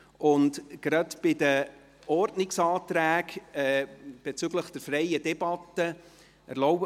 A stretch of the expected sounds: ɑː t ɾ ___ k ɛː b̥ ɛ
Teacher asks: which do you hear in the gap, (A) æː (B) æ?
A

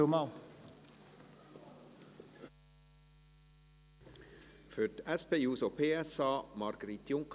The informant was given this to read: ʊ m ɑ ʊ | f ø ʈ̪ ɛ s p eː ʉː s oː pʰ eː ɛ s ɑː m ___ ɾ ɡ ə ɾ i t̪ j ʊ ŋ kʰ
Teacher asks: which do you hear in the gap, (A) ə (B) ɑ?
B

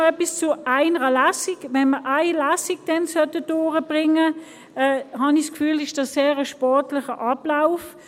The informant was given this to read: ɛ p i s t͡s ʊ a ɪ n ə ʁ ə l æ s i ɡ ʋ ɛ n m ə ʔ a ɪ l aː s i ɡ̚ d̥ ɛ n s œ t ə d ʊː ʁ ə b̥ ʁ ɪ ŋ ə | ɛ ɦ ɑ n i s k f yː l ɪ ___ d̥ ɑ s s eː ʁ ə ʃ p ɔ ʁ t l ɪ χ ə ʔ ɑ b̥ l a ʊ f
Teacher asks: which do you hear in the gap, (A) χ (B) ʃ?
B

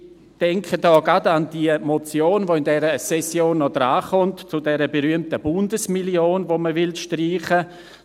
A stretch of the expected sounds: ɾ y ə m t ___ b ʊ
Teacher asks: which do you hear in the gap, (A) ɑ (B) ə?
B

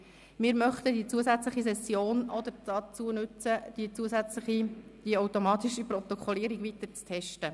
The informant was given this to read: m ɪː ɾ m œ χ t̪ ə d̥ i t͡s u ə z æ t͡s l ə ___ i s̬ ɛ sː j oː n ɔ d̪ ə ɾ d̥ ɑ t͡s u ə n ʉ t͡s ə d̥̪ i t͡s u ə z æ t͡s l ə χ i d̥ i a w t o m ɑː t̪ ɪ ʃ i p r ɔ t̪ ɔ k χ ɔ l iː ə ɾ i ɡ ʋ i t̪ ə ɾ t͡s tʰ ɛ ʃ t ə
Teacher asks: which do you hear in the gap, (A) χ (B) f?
A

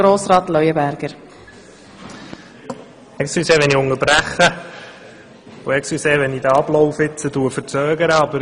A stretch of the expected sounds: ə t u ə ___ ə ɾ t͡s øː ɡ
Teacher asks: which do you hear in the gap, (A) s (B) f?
B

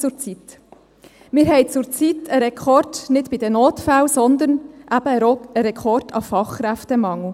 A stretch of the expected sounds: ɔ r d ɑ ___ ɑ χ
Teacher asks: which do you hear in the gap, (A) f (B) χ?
A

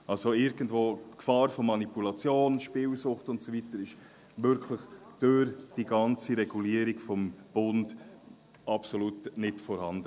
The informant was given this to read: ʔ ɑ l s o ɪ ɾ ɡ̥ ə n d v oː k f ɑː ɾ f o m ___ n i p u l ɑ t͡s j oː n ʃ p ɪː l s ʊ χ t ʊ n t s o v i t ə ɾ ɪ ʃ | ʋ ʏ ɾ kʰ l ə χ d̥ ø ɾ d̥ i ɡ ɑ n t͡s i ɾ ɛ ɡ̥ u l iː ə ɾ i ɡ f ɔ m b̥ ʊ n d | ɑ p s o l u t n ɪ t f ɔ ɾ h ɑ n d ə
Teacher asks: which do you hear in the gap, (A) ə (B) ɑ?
B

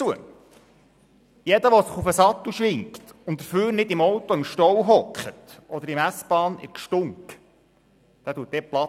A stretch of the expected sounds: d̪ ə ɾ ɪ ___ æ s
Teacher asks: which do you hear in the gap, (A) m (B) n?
A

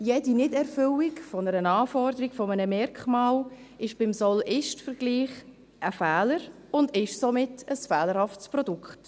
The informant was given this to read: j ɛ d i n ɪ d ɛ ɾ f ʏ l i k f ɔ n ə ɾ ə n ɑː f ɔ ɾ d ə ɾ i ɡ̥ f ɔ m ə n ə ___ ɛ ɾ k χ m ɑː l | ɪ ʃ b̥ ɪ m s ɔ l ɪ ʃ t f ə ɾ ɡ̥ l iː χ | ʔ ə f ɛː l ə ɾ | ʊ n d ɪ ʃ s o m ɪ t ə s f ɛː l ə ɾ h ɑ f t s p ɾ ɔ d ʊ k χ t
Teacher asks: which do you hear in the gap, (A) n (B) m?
B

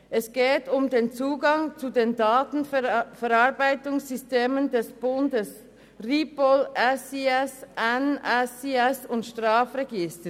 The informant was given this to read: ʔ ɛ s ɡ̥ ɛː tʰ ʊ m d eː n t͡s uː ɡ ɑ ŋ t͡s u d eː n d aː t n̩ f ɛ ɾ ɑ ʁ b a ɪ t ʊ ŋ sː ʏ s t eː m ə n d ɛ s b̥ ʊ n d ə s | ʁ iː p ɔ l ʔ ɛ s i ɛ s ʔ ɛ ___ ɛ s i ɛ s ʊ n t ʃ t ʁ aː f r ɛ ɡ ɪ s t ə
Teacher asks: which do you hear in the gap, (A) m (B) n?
B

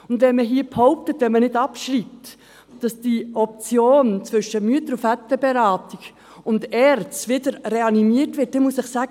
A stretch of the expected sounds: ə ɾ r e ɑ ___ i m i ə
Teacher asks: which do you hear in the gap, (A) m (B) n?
B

